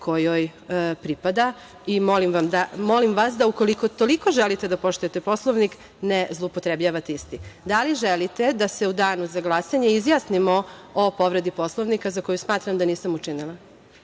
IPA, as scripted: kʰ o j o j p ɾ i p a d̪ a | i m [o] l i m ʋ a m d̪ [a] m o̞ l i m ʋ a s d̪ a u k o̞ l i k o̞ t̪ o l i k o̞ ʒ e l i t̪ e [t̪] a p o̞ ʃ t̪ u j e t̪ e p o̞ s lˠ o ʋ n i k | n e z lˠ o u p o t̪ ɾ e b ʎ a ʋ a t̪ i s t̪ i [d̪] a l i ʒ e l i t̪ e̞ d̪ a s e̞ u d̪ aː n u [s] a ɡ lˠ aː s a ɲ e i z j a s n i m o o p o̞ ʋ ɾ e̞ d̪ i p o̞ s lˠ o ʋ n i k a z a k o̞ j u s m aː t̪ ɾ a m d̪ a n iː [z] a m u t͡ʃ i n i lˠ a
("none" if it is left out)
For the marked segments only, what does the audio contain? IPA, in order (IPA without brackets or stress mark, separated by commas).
o, a, d̪, d̪, z, s